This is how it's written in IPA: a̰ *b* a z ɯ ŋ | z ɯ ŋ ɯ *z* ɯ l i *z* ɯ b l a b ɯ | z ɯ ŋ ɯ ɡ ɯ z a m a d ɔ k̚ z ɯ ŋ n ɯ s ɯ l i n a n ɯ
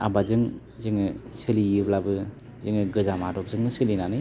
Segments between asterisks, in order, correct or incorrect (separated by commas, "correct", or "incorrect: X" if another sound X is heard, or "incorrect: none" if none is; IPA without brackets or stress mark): correct, incorrect: s, incorrect: none